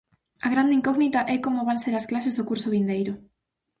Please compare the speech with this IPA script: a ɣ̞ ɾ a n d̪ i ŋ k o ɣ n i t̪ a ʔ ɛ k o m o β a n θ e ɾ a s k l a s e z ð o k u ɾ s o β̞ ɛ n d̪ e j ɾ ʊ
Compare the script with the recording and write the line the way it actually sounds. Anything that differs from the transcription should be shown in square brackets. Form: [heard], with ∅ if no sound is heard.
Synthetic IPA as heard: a ɣ̞ ɾ a n d̪ i ŋ k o ɣ n i t̪ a ʔ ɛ k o m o β a n [s] e ɾ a s k l a s e z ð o k u ɾ s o β̞ [i] n d̪ e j ɾ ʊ